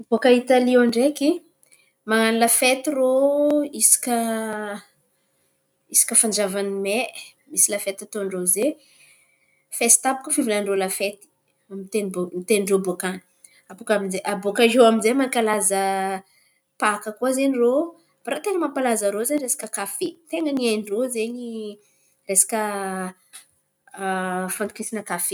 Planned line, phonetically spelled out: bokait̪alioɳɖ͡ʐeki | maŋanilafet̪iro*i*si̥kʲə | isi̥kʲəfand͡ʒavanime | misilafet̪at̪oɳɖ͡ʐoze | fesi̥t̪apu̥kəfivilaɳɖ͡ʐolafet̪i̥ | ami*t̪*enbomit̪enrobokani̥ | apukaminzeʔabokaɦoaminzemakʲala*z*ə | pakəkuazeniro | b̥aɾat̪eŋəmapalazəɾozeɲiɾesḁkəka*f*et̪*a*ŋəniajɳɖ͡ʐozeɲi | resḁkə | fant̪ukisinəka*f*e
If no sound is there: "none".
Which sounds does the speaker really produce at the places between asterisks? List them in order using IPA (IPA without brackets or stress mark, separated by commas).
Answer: i, t̪, z, f, e, f